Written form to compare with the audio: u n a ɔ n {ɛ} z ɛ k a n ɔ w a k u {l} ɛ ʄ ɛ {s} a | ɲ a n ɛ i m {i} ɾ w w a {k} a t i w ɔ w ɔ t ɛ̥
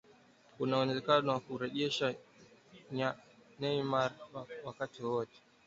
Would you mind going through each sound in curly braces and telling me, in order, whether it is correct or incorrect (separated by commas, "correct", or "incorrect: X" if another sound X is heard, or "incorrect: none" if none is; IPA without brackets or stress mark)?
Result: correct, incorrect: ɾ, incorrect: ʃ, incorrect: a, correct